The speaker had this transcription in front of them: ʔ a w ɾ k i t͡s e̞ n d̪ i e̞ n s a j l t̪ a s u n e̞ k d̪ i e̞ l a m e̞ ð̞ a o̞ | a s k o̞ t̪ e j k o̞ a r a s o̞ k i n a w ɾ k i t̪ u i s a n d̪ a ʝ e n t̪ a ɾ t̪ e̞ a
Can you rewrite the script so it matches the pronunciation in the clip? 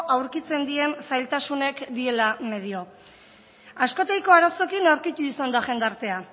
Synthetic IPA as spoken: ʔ a w ɾ k i t͡s e̞ n d̪ i e̞ n s a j l t̪ a s u n e̞ k d̪ i e̞ l a m e̞ ð̞ i o̞ | a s k o̞ t̪ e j k o̞ a ɾ a s o̞ k i n a w ɾ k i t̪ u i s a n d̪ a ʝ e n d̪ a ɾ t̪ e̞ a